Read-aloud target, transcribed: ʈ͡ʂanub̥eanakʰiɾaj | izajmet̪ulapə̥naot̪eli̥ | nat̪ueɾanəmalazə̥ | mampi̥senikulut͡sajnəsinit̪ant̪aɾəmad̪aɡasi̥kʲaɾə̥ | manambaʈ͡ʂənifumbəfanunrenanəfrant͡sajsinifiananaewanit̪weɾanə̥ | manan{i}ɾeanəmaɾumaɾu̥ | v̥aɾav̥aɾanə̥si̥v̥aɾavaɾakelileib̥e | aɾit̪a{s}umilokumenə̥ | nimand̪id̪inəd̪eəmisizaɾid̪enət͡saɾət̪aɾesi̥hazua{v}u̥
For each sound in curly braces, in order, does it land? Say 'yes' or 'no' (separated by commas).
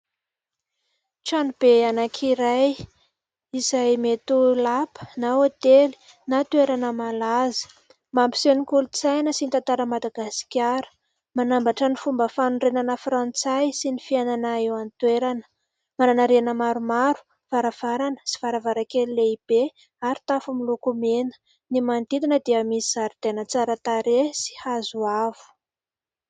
no, no, yes